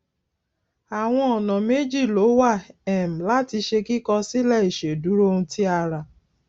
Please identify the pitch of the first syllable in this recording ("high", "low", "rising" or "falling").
low